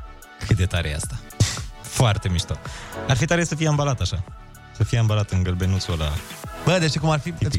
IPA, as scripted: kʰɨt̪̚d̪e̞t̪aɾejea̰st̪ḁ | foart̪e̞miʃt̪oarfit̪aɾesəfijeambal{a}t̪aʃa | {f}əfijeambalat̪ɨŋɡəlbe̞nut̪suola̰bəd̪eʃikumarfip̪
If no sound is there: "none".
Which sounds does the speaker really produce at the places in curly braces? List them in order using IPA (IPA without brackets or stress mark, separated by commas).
a, s